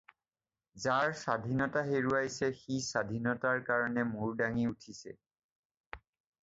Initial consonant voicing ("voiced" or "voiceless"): voiced